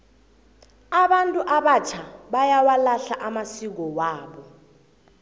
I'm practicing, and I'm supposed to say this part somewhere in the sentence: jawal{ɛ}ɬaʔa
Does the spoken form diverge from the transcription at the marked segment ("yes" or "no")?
yes